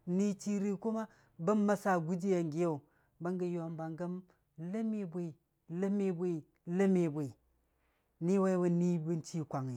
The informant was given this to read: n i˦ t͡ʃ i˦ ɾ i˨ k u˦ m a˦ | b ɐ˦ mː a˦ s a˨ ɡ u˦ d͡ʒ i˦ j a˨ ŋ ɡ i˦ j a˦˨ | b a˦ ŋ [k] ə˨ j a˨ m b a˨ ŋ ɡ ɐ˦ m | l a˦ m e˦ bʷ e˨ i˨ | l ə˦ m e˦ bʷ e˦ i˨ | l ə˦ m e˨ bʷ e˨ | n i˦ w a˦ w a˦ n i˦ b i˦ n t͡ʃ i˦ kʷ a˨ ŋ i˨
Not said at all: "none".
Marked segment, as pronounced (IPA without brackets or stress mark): ɡ